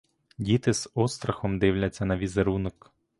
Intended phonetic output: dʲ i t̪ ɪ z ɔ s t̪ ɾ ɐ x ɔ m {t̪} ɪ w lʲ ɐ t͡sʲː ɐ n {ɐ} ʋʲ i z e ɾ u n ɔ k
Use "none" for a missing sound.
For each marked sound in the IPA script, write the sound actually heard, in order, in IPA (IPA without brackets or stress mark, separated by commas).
d̪, ɐ